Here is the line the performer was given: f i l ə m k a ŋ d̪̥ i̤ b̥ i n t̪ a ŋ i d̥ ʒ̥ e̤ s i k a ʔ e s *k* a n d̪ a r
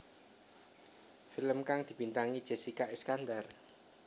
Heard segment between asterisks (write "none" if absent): k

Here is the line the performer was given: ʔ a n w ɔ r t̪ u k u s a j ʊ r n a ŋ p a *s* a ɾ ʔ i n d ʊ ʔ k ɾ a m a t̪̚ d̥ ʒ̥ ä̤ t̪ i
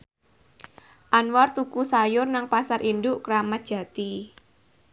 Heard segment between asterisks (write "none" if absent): s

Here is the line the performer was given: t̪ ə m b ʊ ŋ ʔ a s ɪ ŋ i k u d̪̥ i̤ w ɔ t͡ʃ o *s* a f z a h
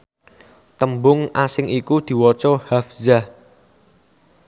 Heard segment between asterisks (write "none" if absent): h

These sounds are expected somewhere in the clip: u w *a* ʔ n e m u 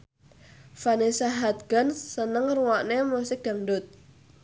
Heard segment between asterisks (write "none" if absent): a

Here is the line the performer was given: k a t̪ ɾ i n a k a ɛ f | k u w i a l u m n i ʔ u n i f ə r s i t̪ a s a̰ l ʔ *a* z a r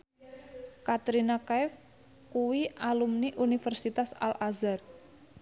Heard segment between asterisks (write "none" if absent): a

